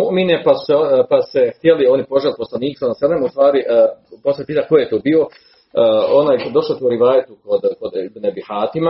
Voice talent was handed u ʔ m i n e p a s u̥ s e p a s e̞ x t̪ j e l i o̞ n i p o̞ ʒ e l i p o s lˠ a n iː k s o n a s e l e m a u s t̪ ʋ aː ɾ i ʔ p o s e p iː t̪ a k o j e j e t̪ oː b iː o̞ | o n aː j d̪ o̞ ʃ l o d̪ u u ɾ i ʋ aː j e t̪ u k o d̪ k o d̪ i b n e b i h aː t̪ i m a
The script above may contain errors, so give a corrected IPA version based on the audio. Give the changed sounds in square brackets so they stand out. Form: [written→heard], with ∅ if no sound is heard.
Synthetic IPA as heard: u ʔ m i n e p a s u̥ s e p a s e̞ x t̪ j e l i o̞ n i p o̞ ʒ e l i p o s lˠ a n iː k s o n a s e l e m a u s t̪ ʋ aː ɾ i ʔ p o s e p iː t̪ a k o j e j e t̪ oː b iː o̞ | o n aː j d̪ o̞ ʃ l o [d̪→t̪] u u ɾ i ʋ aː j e t̪ u k o d̪ k o d̪ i b n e b i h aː t̪ i m a